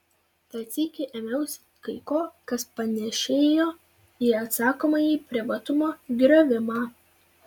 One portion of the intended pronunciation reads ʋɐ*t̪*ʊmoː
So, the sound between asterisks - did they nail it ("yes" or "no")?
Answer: yes